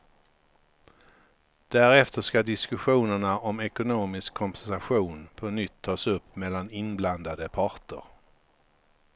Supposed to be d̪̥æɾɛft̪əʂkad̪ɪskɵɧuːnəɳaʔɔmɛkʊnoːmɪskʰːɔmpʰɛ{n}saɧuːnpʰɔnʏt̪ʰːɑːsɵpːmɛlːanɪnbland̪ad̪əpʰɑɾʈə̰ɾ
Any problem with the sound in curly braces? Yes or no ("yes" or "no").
no